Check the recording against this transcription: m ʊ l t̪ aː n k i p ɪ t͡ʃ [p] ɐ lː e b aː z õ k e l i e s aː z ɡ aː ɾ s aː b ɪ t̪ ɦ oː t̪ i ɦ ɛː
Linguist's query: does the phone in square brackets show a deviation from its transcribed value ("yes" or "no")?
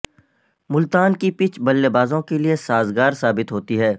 yes